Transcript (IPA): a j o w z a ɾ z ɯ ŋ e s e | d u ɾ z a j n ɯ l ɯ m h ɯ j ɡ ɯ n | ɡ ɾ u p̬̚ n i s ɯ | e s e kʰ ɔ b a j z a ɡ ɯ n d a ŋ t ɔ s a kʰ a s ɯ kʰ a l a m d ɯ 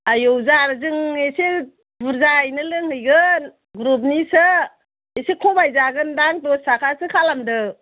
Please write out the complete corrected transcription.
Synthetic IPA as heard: a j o w z a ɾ z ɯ ŋ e s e | b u ɾ z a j n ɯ l ɯ ŋ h ɯ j ɡ ɯ n | ɡ ɾ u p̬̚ n i s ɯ | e s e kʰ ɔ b a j z a ɡ ɯ n d a ŋ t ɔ s a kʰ a s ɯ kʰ a l a m d ɯ

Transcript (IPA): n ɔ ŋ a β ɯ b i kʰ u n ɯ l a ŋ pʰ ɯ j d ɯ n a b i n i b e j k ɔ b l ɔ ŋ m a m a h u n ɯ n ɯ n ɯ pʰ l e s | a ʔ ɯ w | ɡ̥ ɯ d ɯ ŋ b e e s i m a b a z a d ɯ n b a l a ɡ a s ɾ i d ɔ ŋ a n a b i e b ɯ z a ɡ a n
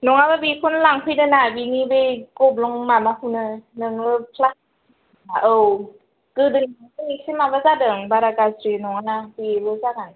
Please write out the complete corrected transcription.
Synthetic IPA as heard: n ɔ ŋ a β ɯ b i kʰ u n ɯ l a ŋ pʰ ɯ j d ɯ n a b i n i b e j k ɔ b l ɔ ŋ m a m a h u n ɯ n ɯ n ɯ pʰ l a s | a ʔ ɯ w | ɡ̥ ɯ d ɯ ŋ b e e s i m a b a z a d ɯ ŋ b a ɾ a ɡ a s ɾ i n ɔ ŋ a n a b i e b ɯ z a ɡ a n

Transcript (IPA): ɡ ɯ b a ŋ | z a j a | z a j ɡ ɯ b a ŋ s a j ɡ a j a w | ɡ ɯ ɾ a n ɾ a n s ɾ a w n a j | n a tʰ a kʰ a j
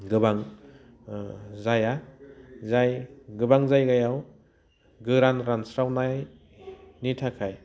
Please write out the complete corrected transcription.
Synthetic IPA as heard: ɡ ɯ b a ŋ | z a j a | z a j ɡ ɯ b a ŋ z a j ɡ a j a w | ɡ ɯ ɾ a n ɾ a n s ɾ a w n a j | n i tʰ a kʰ a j

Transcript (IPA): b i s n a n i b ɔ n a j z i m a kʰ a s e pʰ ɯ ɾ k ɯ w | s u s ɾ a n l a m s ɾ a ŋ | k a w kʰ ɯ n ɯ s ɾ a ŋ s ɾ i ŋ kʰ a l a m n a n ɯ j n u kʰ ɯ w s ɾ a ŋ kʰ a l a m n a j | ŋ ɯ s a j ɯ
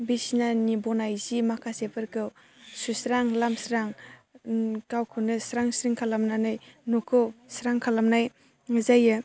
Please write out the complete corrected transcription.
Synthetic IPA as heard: b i s n a n i b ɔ n a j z i m a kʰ a s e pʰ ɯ ɾ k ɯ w | s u s ɾ a ŋ l a m s ɾ a ŋ | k a w kʰ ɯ n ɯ s ɾ a ŋ s ɾ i ŋ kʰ a l a m n a n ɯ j n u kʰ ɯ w s ɾ a ŋ kʰ a l a m n a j | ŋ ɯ z a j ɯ

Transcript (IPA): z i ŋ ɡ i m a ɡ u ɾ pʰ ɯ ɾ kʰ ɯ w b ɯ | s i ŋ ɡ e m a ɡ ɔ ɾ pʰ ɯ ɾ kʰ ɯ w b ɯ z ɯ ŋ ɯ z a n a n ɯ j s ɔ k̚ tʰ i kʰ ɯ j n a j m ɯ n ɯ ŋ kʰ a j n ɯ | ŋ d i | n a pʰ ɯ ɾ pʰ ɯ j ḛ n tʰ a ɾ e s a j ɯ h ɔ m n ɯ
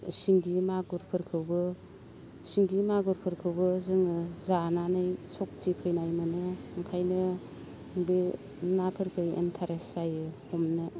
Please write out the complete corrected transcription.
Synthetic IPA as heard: s i ŋ ɡ i m a ɡ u ɾ pʰ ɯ ɾ kʰ ɯ w b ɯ | s i ŋ ɡ i m a ɡ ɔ ɾ pʰ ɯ ɾ kʰ ɯ w b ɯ z ɯ ŋ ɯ z a n a n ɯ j s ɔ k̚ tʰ i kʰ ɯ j n a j m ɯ n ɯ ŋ kʰ a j n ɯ | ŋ b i | n a pʰ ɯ ɾ kʰ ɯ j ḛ n tʰ a ɾ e s a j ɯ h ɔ m n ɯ

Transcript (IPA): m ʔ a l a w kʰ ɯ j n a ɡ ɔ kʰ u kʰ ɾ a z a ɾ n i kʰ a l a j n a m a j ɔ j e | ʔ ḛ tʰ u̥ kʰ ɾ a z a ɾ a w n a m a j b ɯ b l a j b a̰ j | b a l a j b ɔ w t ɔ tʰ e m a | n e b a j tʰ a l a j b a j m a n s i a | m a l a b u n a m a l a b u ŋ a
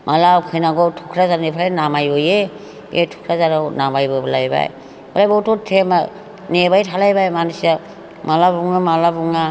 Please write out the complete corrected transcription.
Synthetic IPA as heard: m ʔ a l a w kʰ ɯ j n a ɡ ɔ tʰ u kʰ ɾ a z a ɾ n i pʰ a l a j n a m a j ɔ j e | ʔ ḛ tʰ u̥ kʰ ɾ a z a ɾ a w n a m a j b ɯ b l a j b a̰ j | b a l a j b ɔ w t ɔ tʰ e m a | n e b a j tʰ a l a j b a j m a n s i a | m a l a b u ŋ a m a l a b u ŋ a

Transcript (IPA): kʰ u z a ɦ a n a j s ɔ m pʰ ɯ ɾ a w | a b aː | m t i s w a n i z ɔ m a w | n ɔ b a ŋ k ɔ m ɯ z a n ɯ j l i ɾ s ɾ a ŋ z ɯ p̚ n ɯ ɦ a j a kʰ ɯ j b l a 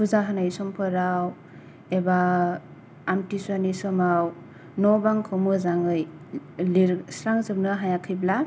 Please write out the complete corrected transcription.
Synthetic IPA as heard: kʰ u z a ɦ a n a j s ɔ m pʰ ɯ ɾ a w | e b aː | m t i s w a n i s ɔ m a w | n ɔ b a ŋ kʰ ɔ m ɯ z a ŋ ɯ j l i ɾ s ɾ a ŋ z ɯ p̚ n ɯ ɦ a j a kʰ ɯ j b l a

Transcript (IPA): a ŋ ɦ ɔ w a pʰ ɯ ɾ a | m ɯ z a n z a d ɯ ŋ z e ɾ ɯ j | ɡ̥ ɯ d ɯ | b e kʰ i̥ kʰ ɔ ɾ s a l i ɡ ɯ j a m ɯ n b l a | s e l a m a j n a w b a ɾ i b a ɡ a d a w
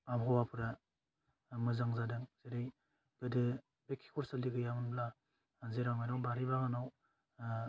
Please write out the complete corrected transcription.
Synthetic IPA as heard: a m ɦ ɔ w a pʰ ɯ ɾ a | m ɯ z a ŋ z a d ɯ ŋ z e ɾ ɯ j | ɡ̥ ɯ d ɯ | b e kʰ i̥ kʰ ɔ ɾ s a l i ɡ ɯ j a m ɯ n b l a | z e ɾ a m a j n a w b a ɾ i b a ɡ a n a w

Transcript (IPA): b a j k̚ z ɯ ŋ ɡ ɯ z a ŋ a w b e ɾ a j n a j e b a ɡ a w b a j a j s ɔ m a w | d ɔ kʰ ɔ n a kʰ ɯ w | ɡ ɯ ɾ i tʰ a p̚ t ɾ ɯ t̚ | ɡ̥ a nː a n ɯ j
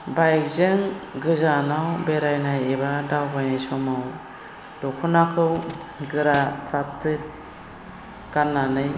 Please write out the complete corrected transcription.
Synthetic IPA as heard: b a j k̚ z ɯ ŋ ɡ ɯ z a n a w b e ɾ a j n a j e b a d a w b a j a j s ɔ m a w | d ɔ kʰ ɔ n a kʰ ɯ w | ɡ ɯ ɾ a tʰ a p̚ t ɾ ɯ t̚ | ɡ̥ a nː a n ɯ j

